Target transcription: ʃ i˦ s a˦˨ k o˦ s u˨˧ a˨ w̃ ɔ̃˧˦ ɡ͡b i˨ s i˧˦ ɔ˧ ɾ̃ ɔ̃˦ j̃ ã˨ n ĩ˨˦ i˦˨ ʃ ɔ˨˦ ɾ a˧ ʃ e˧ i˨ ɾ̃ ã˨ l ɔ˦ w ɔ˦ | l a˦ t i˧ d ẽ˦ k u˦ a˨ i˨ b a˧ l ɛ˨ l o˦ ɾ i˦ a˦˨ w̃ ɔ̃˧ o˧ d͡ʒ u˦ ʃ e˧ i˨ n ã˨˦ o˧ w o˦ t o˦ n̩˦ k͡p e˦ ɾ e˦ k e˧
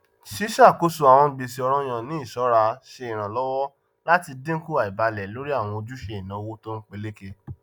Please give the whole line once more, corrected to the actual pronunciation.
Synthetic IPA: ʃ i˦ ʃ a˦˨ k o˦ s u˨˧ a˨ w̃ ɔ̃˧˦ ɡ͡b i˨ s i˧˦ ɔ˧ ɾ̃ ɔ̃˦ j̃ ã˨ n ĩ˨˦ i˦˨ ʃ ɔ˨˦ ɾ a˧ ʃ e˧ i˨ ɾ̃ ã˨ l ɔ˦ w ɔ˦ | l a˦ t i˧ d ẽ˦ k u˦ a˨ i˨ b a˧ l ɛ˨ l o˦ ɾ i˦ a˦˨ w̃ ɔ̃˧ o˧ d͡ʒ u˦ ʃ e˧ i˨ n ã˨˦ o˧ w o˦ t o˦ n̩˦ k͡p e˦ l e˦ k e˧